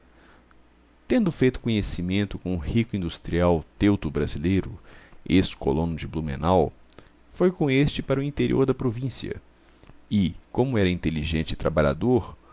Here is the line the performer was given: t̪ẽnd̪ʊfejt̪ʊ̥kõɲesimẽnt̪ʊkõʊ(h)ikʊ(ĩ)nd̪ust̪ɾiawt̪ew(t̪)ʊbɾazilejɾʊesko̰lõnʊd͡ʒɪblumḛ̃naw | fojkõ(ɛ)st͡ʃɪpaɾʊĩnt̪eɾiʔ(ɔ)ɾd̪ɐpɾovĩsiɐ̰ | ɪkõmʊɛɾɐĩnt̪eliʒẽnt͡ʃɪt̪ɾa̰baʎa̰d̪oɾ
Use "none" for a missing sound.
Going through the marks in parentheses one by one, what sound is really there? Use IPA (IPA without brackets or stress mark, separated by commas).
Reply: h, ĩ, t̪, e, o